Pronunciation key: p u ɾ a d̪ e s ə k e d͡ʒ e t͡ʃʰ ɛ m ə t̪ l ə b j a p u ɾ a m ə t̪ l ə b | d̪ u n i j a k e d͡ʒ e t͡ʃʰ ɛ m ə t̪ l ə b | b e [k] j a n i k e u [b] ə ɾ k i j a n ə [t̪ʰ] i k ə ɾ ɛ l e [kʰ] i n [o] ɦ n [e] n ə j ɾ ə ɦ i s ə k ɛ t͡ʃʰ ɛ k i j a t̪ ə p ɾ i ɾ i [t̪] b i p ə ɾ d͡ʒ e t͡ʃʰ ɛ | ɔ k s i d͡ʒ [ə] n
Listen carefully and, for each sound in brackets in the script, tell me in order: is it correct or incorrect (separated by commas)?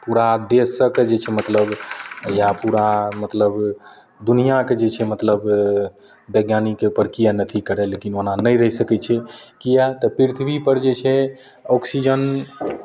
incorrect, incorrect, correct, incorrect, correct, incorrect, incorrect, correct